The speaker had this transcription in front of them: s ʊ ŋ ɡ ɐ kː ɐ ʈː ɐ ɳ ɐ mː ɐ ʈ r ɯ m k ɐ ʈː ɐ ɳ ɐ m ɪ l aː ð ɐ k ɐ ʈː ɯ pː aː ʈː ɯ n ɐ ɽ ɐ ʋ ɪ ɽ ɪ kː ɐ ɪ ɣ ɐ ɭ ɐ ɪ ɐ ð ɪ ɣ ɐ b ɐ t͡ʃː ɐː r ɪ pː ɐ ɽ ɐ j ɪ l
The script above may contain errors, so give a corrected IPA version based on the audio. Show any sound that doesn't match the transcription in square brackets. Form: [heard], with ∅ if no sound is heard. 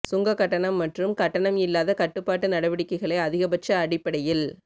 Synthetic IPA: s ʊ ŋ ɡ ɐ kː ɐ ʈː ɐ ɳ ɐ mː ɐ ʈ r ɯ m k ɐ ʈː ɐ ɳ ɐ m ɪ [lː] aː ð ɐ k ɐ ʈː ɯ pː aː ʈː ɯ n ɐ ɽ ɐ ʋ ɪ ɽ ɪ kː ɐ ɪ ɣ ɐ ɭ ɐ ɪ ɐ ð ɪ ɣ ɐ b ɐ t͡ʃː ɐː [ɽ] ɪ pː ɐ ɽ ɐ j ɪ l

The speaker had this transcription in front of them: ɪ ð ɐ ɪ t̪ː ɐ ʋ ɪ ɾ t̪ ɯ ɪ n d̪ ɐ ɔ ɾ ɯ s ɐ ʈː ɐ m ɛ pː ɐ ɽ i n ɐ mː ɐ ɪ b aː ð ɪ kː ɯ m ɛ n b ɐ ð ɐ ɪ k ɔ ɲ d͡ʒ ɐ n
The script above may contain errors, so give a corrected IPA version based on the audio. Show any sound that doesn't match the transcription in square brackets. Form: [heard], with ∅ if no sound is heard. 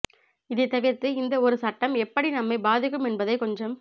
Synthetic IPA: ɪ ð ɐ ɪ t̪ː ɐ ʋ ɪ ɾ t̪ ɯ ɪ n d̪ ɐ ɔ ɾ ɯ s ɐ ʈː ɐ m ɛ pː ɐ ɽ i n ɐ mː ɐ ɪ b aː ð ɪ kː ɯ m ɛ n b ɐ ð ɐ ɪ k ɔ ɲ d͡ʒ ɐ [m]

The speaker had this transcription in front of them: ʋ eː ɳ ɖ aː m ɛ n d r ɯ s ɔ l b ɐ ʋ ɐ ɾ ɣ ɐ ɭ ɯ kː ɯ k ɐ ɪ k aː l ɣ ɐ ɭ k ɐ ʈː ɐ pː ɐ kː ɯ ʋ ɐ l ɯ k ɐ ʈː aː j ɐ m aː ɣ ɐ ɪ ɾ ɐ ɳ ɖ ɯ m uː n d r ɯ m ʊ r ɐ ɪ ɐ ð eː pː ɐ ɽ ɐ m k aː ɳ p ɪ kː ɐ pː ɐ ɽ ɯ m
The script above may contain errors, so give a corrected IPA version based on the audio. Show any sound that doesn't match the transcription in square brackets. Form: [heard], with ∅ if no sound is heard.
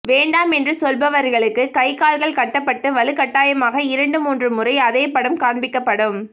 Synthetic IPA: ʋ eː ɳ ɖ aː m ɛ n d r ɯ s ɔ l b ɐ ʋ ɐ ɾ ɣ ɐ ɭ ɯ kː ɯ k ɐ ɪ k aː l ɣ ɐ ɭ k ɐ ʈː ɐ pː ɐ [ʈː] ɯ ʋ ɐ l ɯ k ɐ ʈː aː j ɐ m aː ɣ ɐ ɪ ɾ ɐ ɳ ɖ ɯ m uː n d r ɯ m ʊ r ɐ ɪ ɐ ð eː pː ɐ ɽ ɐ m k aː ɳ [b] ɪ kː ɐ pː ɐ ɽ ɯ m

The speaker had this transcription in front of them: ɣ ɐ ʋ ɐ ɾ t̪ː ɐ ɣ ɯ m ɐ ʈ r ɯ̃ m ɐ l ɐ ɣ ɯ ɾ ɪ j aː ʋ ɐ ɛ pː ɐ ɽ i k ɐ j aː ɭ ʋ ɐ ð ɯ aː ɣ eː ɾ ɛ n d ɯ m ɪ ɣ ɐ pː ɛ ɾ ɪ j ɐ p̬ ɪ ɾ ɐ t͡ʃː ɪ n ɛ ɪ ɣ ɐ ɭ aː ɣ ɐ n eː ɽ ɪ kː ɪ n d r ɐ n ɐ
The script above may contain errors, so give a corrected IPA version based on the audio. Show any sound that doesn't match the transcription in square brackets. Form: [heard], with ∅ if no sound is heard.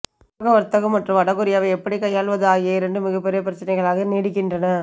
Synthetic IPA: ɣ ɐ ʋ ɐ ɾ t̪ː ɐ ɣ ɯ m ɐ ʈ r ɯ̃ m ɐ [ɽ] ɐ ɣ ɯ ɾ ɪ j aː ʋ ɐ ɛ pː ɐ ɽ i k ɐ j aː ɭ ʋ ɐ ð ɯ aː ɣ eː ɾ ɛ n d ɯ m ɪ ɣ ɐ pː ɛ ɾ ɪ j ɐ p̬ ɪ ɾ ɐ t͡ʃː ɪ n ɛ ɪ ɣ ɐ ɭ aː ɣ ɐ n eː ɽ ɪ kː ɪ n d r ɐ n ɐ

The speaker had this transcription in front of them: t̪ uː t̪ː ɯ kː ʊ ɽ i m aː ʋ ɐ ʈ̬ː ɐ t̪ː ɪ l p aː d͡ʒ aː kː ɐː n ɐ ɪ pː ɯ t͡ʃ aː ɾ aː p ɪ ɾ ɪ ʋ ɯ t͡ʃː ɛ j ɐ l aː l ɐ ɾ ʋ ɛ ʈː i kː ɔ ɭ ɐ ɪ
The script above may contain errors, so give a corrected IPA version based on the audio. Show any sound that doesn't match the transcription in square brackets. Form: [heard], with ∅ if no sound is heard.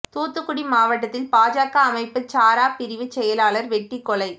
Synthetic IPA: t̪ uː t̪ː ɯ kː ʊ ɽ i m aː ʋ ɐ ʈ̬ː ɐ t̪ː ɪ l p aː d͡ʒ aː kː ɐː [m] ɐ ɪ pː ɯ t͡ʃ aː ɾ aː p ɪ ɾ ɪ ʋ ɯ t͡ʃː ɛ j ɐ l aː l ɐ ɾ ʋ ɛ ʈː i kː ɔ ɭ ɐ ɪ

